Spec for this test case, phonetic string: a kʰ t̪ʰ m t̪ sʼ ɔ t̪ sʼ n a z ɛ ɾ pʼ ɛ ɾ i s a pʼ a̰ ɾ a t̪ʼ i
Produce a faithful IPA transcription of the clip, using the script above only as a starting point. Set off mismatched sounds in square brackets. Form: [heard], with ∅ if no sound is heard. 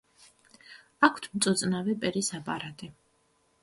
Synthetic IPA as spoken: a kʰ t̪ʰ m t̪ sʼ ɔ t̪ sʼ n a [v] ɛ [∅] pʼ ɛ ɾ i s a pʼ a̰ ɾ a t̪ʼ i